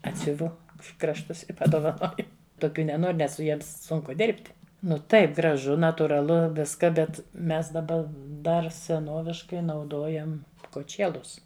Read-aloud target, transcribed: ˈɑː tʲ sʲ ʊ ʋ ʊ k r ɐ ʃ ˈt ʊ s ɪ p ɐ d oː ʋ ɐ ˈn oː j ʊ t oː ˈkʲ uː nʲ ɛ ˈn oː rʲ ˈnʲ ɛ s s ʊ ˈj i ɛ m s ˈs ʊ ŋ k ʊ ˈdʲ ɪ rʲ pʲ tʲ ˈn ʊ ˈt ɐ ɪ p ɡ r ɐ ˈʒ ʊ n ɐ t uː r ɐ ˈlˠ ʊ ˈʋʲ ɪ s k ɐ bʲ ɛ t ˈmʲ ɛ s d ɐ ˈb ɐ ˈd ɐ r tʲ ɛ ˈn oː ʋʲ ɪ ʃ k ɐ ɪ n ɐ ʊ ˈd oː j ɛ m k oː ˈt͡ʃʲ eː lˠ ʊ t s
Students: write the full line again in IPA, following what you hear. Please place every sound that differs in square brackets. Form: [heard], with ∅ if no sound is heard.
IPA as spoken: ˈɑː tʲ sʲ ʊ ʋ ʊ k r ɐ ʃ ˈt ʊ s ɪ p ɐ d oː ʋ ɐ ˈn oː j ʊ t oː ˈkʲ uː nʲ ɛ ˈn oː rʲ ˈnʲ ɛ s s ʊ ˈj i ɛ m s ˈs ʊ ŋ k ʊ ˈdʲ ɪ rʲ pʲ tʲ ˈn ʊ ˈt ɐ ɪ p ɡ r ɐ ˈʒ ʊ n ɐ t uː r ɐ ˈlˠ ʊ ˈʋʲ ɪ s k ɐ bʲ ɛ t ˈmʲ ɛ s d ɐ ˈb ɐ ˈd ɐ r [sʲ] ɛ ˈn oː ʋʲ ɪ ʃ k ɐ ɪ n ɐ ʊ ˈd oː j ɛ m k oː ˈt͡ʃʲ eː lˠ ʊ [∅] s